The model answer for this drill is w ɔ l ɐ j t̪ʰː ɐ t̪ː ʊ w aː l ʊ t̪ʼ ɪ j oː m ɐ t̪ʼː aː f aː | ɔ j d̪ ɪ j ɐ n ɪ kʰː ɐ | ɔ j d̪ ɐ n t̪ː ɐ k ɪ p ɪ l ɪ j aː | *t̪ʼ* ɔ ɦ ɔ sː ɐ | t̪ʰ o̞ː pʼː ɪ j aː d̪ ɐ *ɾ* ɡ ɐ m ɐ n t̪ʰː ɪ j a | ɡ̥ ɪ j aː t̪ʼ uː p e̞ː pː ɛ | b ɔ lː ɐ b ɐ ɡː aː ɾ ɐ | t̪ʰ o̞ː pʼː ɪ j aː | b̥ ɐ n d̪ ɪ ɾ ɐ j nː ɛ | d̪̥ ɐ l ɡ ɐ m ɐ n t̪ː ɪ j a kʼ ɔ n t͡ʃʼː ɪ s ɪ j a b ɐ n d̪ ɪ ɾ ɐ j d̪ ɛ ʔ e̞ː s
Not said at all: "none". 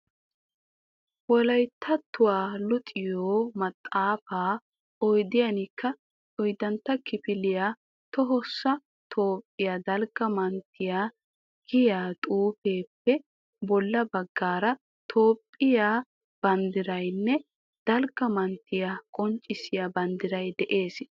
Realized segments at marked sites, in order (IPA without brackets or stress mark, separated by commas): t̪, l